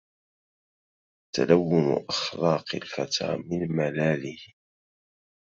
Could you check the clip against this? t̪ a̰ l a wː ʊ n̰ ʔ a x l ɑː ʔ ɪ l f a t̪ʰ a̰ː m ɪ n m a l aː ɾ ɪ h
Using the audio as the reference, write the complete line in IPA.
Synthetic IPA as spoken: t̪ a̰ l a wː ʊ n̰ ʔ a x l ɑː q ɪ l f a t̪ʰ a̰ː m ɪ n m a l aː l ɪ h

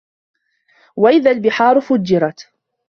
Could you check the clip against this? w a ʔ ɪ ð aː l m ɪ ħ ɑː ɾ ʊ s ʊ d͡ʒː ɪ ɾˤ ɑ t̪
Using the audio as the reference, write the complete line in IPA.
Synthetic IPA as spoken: w a ʔ ɪ ð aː l b ɪ ħ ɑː ɾ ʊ f ʊ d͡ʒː ɪ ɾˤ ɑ t̪

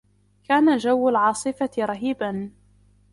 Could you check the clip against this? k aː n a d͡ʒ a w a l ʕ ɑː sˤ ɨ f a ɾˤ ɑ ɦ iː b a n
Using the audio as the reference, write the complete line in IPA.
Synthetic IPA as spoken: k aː n a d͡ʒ a wː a l ʕ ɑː sˤ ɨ f a ɾˤ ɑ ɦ iː b a n

